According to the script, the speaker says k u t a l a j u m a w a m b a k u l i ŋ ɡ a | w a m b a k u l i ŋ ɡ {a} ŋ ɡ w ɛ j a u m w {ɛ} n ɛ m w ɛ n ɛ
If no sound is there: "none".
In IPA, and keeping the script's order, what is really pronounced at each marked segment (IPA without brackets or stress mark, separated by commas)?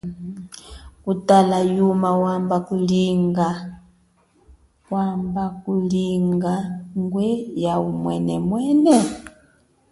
a, ɛ